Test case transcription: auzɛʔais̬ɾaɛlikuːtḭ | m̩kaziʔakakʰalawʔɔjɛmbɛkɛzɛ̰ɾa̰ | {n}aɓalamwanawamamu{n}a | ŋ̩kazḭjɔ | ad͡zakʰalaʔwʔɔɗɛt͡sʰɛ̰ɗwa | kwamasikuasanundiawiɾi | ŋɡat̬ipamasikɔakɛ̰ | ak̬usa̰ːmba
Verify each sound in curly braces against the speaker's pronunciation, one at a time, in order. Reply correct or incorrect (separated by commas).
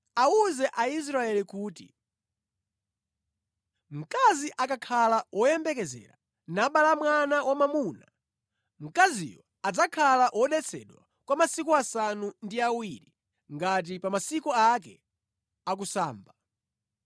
correct, correct